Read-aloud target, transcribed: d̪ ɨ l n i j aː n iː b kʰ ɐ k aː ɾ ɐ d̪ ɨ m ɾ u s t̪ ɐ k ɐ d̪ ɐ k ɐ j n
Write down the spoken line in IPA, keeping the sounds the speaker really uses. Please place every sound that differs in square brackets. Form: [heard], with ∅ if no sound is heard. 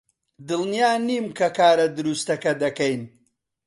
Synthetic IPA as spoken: d̪ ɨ l n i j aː n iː [m] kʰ ɐ k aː ɾ ɐ d̪ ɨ [∅] ɾ u s t̪ ɐ k ɐ d̪ ɐ k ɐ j n